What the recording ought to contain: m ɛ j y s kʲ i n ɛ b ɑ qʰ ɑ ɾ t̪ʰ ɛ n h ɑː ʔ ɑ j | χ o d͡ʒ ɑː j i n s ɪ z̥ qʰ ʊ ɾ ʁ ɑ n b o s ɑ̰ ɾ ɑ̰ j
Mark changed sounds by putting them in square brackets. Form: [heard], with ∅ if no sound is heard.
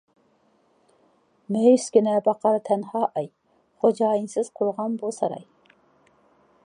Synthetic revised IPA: m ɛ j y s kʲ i n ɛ b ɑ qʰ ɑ ɾ t̪ʰ ɛ n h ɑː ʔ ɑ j | χ o d͡ʒ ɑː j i n s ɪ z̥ qʰ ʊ ɾ ʁ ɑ n b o s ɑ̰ ɾ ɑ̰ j